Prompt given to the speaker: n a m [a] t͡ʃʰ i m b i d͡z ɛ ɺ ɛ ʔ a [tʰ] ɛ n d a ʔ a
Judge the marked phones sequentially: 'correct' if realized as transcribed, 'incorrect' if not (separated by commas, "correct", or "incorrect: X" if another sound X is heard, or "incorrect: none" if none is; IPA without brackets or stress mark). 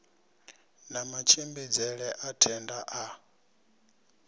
correct, correct